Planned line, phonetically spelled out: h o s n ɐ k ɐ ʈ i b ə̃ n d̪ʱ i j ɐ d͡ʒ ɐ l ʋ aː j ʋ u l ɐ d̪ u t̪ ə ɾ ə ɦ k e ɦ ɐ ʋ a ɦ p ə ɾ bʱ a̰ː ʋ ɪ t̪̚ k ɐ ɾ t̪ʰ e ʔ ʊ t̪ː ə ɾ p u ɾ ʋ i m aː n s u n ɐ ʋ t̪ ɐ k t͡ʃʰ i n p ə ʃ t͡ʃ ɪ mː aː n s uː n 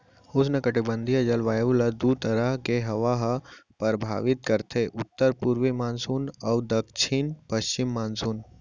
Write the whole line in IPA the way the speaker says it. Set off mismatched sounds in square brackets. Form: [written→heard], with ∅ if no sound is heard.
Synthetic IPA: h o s n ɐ k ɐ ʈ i b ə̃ n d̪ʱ i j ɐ d͡ʒ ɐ l ʋ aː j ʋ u l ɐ d̪ u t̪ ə ɾ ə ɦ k e ɦ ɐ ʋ a ɦ p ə ɾ bʱ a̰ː ʋ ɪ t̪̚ k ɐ ɾ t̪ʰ e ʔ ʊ t̪ː ə ɾ p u ɾ ʋ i m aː n s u n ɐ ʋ [t̪→d̪] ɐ k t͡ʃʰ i n p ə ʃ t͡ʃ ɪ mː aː n s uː n